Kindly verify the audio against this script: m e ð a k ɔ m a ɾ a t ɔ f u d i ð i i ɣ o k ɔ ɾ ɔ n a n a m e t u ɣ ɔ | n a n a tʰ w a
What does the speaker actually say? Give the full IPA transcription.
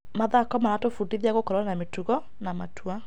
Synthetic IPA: m a ð a k ɔ m a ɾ a t o f u d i ð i a ɣ o k ɔ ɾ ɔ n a n a m e t u ɣ ɔ | n a m a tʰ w a